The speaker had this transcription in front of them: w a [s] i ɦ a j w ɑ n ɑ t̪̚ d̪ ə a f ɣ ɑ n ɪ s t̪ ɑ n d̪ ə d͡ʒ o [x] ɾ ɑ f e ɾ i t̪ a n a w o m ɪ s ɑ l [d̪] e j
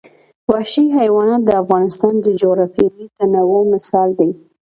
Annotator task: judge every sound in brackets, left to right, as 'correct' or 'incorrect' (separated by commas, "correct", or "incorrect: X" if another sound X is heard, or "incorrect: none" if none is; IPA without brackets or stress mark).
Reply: incorrect: ʃ, incorrect: ɣ, correct